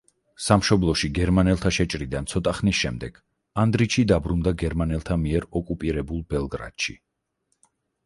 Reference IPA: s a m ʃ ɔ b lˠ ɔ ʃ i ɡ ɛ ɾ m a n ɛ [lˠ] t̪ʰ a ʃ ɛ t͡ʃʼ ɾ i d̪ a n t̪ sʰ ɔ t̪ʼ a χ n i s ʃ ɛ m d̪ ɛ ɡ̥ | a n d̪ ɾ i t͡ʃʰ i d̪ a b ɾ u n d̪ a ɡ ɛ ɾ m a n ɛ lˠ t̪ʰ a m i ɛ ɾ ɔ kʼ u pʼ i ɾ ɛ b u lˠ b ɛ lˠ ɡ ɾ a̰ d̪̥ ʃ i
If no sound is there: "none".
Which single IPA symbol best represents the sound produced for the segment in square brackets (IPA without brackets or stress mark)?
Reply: lˠ